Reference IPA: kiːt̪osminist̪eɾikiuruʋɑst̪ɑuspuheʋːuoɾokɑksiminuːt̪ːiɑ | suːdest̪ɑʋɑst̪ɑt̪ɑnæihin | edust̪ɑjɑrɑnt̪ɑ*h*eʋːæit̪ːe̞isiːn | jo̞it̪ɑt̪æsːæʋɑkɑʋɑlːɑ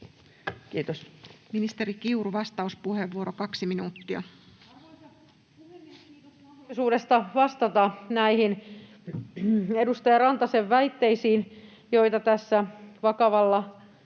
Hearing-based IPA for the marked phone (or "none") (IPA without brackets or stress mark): s